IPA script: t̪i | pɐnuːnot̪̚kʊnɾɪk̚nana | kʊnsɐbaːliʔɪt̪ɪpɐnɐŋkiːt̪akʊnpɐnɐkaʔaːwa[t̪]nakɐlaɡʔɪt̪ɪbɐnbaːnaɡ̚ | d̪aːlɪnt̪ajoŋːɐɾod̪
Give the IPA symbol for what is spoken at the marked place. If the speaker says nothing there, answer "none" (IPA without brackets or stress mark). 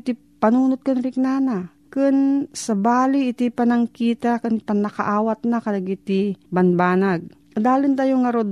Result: t̪